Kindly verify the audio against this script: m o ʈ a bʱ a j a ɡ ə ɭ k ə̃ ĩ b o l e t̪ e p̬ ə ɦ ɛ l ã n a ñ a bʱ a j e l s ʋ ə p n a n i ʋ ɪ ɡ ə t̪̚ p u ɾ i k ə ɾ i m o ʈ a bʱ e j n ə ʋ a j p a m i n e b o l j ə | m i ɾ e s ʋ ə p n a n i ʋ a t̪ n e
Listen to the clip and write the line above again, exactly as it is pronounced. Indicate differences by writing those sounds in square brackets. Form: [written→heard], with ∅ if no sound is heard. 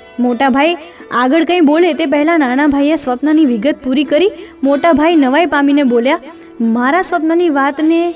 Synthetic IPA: m o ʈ a bʱ a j a ɡ ə ɭ k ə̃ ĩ b o l e t̪ e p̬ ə ɦ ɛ l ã n a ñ a bʱ a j e [l→∅] s ʋ ə p n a n i ʋ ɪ ɡ ə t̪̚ p u ɾ i k ə ɾ i m o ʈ a bʱ [e→a] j n ə ʋ a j p a m i n e b o l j [ə→a] | m [i→a] ɾ [e→a] s ʋ ə p n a n i ʋ a t̪ n e